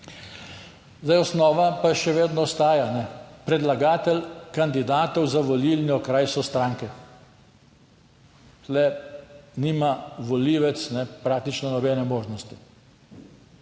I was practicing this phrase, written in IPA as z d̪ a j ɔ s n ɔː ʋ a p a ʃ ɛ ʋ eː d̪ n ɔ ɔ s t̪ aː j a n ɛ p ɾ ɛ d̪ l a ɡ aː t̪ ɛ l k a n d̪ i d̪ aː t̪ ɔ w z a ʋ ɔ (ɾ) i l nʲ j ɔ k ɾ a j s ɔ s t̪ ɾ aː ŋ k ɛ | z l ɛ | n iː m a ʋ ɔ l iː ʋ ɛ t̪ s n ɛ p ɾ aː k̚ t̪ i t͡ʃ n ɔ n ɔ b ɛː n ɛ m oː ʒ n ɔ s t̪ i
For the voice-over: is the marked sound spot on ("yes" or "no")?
no